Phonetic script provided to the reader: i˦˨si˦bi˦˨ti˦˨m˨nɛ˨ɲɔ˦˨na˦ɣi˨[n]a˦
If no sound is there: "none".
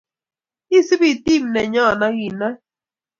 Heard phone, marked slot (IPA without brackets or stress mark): n